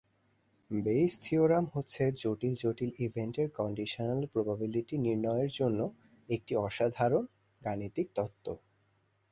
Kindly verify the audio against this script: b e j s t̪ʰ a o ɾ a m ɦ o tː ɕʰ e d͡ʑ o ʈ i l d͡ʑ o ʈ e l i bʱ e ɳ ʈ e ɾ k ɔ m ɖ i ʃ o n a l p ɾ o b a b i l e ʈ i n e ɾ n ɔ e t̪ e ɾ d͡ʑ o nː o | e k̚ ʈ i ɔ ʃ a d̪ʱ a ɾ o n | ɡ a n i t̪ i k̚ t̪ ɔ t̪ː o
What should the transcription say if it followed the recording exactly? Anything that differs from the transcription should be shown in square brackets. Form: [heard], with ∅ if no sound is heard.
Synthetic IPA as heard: b e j s t̪ʰ [i] o ɾ a m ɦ o tː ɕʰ e d͡ʑ o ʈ i l d͡ʑ o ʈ [i] l i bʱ e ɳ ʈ e ɾ k ɔ [ɳ] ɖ i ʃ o n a l p ɾ o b a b i l [i] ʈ i n [i] ɾ n ɔ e [∅] e ɾ d͡ʑ o nː o | e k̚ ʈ i ɔ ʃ a d̪ʱ a ɾ o n | ɡ a n i t̪ i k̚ t̪ ɔ t̪ː o

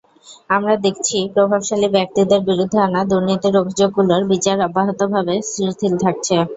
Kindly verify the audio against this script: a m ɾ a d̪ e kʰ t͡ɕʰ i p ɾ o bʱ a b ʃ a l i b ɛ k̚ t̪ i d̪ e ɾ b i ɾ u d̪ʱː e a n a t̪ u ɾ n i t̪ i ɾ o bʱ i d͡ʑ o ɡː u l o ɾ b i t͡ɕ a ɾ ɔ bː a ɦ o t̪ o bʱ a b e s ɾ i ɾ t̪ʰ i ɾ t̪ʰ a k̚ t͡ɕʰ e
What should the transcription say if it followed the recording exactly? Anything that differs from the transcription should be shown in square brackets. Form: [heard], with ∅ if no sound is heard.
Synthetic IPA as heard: a m ɾ a d̪ e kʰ t͡ɕʰ i p ɾ o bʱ a b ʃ a l i b ɛ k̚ t̪ i d̪ e ɾ b i ɾ u d̪ʱː e a n a [d̪] u ɾ n i t̪ i ɾ o bʱ i d͡ʑ o ɡː u l o ɾ b i t͡ɕ a ɾ ɔ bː a ɦ o t̪ o bʱ a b e s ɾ i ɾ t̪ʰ i [l] t̪ʰ a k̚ t͡ɕʰ e

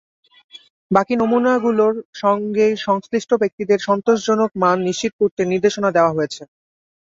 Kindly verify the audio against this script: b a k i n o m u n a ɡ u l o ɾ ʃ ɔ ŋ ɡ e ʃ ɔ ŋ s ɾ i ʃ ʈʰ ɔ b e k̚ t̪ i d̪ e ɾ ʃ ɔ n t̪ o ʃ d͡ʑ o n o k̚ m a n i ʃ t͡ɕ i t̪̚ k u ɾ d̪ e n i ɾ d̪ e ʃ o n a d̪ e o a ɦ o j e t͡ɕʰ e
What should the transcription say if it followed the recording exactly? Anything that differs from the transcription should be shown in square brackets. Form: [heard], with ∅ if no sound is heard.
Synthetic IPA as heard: b a k i n o m u n a ɡ u l o ɾ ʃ ɔ ŋ ɡ e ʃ ɔ ŋ s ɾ i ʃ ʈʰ [o] b e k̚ t̪ i d̪ e ɾ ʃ ɔ n t̪ o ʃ d͡ʑ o n o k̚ m a [nː] i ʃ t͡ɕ i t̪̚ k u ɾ [t̪] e n i ɾ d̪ e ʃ o n a d̪ e o a ɦ o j e t͡ɕʰ e

